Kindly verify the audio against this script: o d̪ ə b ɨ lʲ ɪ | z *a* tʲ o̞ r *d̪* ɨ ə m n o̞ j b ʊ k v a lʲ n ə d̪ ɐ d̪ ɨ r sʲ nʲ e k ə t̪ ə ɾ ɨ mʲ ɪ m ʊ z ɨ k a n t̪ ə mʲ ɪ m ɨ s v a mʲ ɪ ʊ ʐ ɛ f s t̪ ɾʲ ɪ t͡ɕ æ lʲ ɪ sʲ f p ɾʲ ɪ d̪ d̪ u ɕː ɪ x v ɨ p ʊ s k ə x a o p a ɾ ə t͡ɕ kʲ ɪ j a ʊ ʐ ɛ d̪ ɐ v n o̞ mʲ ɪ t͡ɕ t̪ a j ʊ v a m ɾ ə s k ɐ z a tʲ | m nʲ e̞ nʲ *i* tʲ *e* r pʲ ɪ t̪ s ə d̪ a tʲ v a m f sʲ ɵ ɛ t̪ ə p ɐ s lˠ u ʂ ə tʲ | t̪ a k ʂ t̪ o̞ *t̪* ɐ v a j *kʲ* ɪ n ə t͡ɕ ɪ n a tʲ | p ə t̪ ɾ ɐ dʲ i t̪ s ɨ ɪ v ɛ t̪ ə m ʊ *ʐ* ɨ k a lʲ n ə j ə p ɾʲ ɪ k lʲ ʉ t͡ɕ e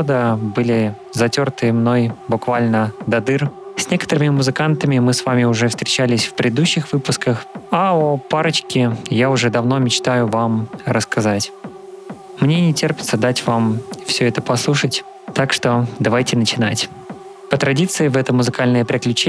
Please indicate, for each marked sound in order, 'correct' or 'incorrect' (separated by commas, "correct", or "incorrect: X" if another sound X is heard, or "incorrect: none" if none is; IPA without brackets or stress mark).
incorrect: ɐ, incorrect: t̪, incorrect: ɪ, correct, incorrect: d̪, incorrect: tʲ, incorrect: z